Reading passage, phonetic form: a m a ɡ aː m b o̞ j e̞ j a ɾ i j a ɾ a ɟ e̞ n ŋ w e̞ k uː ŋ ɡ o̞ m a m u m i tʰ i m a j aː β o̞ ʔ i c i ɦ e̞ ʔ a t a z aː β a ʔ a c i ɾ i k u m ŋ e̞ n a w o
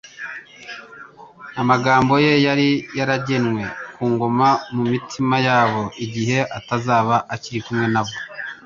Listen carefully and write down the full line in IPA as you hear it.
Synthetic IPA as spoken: a m a ɡ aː m b o̞ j e̞ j a ɾ i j a ɾ a ɟ e̞ n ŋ w e̞ k uː ŋ ɡ o̞ m a m u m i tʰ i m a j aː β o̞ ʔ i ɟ i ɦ e̞ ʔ a t a z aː β a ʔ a c i ɾ i k u m ŋ e̞ n a β o